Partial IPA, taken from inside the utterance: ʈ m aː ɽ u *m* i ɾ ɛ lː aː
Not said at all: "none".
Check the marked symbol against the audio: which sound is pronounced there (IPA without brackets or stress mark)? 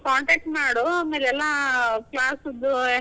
m